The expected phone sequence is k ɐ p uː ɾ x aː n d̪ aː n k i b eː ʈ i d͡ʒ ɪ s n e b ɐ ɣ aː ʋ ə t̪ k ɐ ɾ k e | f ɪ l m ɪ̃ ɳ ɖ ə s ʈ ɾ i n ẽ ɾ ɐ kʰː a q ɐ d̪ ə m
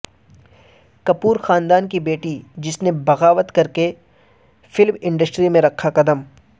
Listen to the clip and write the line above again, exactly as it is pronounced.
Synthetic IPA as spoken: k ɐ p uː ɾ x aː n d̪ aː n k i b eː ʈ i d͡ʒ ɪ s n e b ɐ ɣ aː ʋ ə t̪ k ɐ ɾ k e | f ɪ l m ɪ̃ ɳ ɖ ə s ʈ ɾ i m ẽ ɾ ɐ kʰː a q ɐ d̪ ə m